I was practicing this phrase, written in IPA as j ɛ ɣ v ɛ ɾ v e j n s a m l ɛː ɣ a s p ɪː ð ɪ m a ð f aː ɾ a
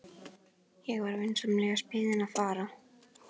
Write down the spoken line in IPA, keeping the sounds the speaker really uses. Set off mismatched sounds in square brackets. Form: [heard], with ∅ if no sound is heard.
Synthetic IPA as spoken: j ɛ ɣ v [a] ɾ v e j n s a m l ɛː ɣ a s p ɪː ð ɪ [n] a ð f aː ɾ a